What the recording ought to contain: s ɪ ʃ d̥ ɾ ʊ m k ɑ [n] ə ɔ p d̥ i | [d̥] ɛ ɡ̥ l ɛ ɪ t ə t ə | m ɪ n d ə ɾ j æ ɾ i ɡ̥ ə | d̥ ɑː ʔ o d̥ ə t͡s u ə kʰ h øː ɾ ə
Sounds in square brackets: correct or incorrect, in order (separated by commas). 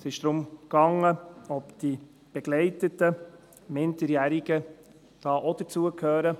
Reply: incorrect, incorrect